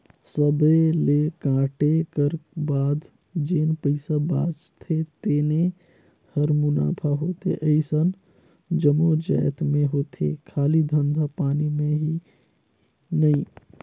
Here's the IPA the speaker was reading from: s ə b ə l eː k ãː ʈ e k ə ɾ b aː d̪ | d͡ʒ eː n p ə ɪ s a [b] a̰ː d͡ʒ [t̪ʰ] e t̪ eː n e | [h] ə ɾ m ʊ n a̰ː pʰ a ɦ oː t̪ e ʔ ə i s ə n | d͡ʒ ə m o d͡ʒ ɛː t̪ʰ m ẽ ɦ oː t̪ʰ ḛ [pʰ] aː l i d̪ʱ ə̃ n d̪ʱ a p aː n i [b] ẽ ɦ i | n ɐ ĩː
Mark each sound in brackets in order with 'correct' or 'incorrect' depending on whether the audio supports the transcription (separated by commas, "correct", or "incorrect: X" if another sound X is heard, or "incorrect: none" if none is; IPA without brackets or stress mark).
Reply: correct, correct, correct, incorrect: kʰ, incorrect: m